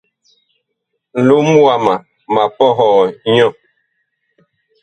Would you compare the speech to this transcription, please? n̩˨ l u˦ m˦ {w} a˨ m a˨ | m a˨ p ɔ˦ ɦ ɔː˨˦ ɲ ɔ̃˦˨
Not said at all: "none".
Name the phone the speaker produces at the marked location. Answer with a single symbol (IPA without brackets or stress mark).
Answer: w